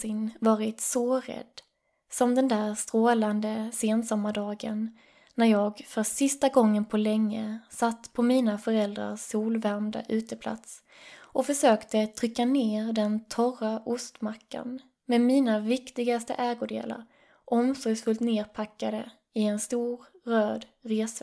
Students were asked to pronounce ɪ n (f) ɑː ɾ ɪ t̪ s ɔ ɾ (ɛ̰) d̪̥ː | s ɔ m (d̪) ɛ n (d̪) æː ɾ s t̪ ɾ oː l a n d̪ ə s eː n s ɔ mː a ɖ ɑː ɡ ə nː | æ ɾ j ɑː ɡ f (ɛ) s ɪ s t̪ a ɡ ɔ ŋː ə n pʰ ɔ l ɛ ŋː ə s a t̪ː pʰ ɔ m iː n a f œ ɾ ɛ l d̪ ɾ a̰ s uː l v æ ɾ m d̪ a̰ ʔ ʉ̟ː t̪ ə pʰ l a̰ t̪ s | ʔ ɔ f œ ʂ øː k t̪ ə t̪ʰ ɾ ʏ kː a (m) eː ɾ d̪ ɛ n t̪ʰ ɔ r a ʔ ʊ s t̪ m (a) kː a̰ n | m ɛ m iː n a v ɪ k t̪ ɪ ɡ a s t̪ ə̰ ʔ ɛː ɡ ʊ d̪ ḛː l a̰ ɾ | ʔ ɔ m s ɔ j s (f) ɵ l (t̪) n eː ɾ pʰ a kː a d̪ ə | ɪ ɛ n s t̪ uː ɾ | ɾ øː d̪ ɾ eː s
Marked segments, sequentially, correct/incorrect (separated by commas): incorrect, correct, correct, correct, incorrect, incorrect, correct, correct, correct